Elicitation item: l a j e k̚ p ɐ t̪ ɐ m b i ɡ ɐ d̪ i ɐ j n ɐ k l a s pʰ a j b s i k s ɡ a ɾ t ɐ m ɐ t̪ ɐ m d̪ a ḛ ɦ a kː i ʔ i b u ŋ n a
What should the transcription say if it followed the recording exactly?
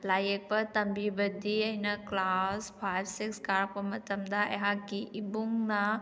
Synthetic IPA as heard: l a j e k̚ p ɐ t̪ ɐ m b i b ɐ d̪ i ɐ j n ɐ k l a s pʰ a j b s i k s k a ɾ p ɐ m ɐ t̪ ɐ m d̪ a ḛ ɦ a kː i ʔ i b u ŋ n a

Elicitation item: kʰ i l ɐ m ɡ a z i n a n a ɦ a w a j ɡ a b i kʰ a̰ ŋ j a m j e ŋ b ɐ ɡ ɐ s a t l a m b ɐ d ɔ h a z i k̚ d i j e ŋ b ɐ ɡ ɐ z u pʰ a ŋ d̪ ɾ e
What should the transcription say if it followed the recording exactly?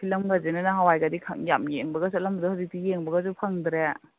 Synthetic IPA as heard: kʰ i l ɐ m ɡ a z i n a n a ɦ a w a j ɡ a d i kʰ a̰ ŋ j a m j e ŋ b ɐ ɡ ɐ s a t l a m b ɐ d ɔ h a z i k̚ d i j e ŋ b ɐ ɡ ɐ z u pʰ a ŋ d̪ ɾ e

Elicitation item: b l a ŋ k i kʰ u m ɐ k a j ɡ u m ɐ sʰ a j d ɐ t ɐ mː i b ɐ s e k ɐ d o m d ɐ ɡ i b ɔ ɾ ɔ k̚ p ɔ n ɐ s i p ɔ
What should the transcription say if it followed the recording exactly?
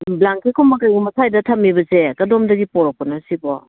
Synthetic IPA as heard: b l a ŋ k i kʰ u m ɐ k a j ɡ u m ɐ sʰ a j d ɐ tʰ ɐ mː i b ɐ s e k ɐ d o m d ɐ ɡ i p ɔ ɾ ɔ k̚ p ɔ n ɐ s i b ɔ

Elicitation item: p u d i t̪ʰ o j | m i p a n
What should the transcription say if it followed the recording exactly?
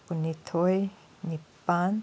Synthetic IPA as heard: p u n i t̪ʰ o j | n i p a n

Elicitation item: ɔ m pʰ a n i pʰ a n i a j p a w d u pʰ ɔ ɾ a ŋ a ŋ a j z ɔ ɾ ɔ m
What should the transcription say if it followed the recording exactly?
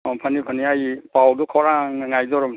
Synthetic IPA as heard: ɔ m pʰ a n i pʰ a n i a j p a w d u kʰ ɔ ɾ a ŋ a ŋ a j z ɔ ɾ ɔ m

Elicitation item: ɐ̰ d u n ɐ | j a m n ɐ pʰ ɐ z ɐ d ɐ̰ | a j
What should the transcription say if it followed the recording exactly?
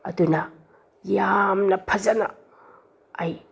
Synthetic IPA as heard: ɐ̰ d u n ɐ | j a m n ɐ pʰ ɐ z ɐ n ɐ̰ | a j

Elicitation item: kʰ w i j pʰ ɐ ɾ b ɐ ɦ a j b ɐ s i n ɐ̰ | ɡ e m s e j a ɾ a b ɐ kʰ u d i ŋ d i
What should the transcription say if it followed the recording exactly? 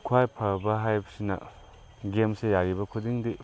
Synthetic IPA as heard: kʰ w a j pʰ ɐ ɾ b ɐ ɦ a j b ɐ s i n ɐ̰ | ɡ e m s e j a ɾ i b ɐ kʰ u d i ŋ d i

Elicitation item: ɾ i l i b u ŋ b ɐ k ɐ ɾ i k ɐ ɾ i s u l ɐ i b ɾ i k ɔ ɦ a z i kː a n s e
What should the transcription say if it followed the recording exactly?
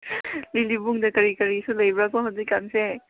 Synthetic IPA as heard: l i l i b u ŋ d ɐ k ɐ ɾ i k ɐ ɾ i s u l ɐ j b ɾ a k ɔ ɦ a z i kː a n s e

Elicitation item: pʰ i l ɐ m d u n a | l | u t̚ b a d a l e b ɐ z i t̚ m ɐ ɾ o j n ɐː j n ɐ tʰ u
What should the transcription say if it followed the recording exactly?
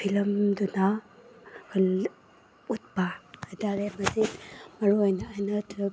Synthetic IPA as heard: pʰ i l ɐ m d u n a | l | u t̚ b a d a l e m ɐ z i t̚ m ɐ ɾ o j n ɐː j n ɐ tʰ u

